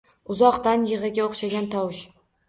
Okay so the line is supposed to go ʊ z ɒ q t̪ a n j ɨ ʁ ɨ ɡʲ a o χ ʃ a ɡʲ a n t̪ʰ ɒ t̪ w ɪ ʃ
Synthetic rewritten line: ʊ z ɒ q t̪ a n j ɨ ʁ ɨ ɡʲ a o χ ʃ a ɡʲ a n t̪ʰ ɒ w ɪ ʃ